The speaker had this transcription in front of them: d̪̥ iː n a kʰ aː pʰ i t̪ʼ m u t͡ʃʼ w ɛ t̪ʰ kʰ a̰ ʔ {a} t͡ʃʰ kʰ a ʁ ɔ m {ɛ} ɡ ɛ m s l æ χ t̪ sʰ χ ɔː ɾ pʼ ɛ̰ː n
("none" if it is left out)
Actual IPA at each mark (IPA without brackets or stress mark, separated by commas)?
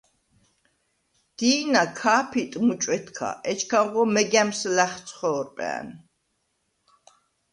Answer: ɛ, ɛ